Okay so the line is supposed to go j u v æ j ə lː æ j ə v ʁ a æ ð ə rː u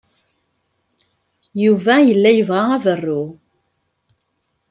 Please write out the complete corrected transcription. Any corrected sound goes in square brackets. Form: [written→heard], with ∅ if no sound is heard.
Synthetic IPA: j u v æ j ə lː æ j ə v ʁ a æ [ð→v] ə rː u